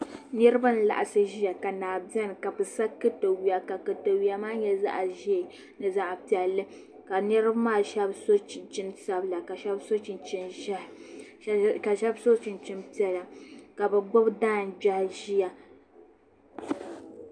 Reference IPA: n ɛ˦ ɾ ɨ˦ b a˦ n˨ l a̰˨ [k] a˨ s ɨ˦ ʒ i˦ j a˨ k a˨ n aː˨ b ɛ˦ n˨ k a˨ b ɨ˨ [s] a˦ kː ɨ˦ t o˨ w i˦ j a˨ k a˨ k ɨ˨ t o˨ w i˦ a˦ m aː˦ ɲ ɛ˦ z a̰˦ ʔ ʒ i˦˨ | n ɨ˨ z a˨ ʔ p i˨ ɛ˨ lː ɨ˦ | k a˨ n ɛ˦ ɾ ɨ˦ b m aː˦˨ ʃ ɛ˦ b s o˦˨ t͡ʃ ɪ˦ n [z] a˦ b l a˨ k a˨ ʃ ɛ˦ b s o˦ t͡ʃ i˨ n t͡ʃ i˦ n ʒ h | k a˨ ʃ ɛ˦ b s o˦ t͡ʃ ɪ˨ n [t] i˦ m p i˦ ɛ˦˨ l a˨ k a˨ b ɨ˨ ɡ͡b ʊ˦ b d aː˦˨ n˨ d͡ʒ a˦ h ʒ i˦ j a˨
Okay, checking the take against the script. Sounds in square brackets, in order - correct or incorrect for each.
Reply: incorrect: ʔ, correct, incorrect: s, incorrect: t͡ʃ

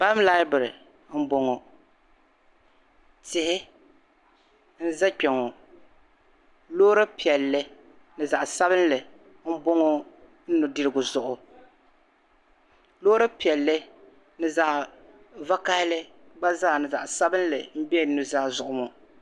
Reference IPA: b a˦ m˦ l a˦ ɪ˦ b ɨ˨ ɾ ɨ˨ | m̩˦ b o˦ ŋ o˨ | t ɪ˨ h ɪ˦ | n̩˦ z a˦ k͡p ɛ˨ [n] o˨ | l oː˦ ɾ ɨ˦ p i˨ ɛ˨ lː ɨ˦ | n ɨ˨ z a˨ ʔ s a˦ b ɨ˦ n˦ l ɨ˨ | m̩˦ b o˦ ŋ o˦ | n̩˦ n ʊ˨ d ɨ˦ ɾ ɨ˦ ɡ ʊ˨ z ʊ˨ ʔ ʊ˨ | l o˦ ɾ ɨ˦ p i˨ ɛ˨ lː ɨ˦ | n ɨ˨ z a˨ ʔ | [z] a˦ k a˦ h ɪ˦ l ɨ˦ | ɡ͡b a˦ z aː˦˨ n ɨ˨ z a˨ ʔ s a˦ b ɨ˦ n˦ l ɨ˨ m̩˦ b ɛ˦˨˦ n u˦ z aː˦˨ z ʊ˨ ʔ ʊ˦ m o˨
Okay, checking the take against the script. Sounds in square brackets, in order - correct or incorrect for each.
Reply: incorrect: ŋ, incorrect: v

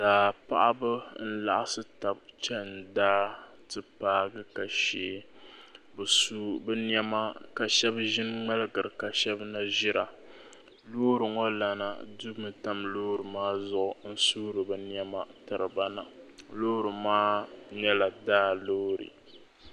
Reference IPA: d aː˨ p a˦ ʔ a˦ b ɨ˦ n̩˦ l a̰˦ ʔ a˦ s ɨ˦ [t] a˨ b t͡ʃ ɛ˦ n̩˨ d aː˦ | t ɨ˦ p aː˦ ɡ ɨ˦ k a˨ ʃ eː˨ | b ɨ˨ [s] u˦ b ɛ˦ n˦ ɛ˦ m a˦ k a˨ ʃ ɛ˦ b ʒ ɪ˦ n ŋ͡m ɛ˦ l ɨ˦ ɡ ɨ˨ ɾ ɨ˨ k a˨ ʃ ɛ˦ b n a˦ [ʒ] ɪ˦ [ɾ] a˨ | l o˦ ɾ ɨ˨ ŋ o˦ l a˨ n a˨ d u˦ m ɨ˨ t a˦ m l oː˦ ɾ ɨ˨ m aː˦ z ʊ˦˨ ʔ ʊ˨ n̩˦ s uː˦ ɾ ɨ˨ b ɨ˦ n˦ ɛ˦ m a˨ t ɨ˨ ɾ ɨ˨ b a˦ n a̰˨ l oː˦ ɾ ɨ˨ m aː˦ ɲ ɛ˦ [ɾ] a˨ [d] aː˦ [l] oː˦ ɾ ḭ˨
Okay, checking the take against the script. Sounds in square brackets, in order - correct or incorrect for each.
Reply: correct, correct, correct, correct, incorrect: l, correct, correct

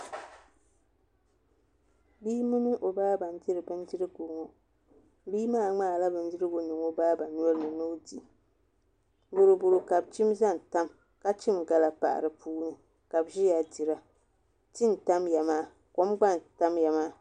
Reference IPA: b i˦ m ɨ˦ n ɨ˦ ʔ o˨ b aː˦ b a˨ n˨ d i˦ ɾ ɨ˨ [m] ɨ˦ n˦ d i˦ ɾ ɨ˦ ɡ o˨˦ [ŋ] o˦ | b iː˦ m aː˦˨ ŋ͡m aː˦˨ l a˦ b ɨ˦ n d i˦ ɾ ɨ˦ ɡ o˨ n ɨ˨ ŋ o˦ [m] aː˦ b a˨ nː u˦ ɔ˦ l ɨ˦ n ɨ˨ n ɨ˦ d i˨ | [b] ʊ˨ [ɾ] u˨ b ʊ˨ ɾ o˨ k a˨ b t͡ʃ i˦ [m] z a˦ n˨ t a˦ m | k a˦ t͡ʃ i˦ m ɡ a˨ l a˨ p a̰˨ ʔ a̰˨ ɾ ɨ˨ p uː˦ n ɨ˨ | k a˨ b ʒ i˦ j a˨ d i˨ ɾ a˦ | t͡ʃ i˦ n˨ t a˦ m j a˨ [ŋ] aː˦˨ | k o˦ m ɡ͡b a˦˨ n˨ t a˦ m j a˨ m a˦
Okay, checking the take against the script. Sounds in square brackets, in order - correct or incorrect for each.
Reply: incorrect: b, correct, incorrect: b, correct, correct, correct, incorrect: m

